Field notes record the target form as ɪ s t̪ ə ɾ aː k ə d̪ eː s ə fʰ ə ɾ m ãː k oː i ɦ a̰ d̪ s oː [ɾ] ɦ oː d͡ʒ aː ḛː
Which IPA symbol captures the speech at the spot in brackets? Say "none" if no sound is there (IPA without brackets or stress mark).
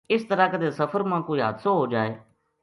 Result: none